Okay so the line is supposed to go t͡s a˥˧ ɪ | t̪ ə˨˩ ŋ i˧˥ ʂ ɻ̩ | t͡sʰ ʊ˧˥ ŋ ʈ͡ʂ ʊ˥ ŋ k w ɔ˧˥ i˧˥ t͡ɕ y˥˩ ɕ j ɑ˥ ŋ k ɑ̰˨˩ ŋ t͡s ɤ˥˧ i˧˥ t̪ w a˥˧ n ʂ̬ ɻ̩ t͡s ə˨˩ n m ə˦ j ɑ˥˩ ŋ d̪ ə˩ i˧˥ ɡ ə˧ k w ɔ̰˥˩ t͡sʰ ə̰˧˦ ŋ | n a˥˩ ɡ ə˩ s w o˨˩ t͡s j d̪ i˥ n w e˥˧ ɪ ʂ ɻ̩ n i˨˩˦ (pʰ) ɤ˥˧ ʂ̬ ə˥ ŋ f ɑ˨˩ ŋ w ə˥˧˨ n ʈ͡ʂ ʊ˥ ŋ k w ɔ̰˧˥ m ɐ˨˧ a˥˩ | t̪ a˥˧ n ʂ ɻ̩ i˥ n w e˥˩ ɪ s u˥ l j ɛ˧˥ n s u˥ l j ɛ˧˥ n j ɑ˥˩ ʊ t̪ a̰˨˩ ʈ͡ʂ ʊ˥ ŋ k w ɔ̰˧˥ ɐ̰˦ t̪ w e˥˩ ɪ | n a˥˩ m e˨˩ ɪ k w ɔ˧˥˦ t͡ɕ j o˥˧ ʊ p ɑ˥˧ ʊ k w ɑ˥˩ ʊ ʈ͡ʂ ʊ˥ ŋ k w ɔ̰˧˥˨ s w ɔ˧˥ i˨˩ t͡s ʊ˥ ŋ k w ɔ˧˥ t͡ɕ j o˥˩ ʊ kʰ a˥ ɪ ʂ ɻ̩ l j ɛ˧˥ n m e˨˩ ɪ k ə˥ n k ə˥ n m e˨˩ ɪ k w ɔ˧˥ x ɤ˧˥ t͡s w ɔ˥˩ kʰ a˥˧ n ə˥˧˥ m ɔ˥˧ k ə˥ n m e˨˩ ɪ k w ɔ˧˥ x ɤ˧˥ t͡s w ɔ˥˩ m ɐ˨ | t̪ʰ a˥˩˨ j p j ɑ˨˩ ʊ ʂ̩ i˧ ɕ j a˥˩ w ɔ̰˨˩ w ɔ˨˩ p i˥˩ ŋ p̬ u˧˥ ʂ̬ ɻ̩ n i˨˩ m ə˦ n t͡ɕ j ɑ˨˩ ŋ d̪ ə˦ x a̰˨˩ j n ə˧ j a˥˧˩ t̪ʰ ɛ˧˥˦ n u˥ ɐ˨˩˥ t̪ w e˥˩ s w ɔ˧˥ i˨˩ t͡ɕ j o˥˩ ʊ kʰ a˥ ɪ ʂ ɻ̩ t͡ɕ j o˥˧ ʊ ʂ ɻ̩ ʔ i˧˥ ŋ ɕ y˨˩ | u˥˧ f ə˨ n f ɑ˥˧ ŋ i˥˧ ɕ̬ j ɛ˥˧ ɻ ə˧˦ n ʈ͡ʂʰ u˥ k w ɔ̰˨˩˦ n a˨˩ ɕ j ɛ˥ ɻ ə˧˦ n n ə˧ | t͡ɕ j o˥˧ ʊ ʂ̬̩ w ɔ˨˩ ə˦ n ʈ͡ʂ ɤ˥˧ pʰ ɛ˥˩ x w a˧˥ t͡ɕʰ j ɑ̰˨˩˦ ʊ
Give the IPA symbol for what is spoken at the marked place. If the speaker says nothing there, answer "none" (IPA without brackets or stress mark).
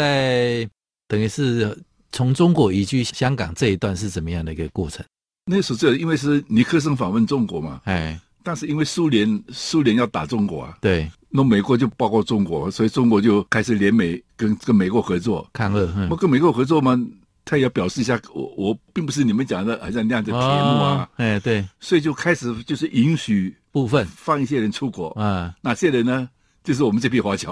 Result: kʰ